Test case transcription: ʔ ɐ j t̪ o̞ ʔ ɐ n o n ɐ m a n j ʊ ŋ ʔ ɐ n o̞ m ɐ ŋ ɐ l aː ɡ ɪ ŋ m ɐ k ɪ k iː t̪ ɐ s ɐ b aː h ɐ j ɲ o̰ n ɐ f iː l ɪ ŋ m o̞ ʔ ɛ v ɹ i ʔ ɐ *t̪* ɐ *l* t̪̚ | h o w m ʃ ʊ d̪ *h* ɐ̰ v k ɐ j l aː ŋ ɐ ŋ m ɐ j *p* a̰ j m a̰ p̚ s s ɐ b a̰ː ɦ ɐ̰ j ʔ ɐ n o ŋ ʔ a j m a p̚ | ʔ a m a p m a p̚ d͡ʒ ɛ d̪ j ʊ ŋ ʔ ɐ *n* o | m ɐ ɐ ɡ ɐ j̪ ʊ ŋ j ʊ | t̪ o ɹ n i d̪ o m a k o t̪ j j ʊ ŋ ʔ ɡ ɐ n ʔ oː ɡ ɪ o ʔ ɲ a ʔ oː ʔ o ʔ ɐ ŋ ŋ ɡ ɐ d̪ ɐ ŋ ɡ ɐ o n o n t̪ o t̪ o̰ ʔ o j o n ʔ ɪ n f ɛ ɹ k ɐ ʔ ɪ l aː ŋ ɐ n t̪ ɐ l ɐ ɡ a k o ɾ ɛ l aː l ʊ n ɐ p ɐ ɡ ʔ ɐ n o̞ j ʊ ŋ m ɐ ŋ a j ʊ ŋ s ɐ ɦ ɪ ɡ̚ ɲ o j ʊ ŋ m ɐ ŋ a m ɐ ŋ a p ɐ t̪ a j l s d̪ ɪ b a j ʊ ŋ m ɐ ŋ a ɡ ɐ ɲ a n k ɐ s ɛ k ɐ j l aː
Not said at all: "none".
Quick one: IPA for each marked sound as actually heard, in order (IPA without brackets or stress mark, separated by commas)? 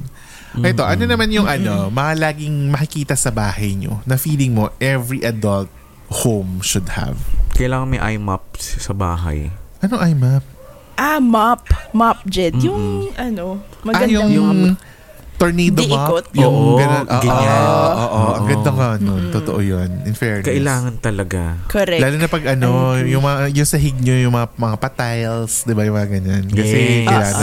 d̪, l, h, ʔ, n